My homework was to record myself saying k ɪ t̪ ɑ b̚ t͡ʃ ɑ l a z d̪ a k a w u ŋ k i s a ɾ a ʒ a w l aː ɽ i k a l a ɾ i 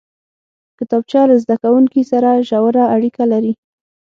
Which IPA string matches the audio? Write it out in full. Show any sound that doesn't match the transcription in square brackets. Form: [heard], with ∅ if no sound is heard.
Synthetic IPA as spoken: k ɪ t̪ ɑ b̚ t͡ʃ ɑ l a z d̪ a k a w u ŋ k i s a ɾ a ʒ a w [ɾ] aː ɽ i k a l a ɾ i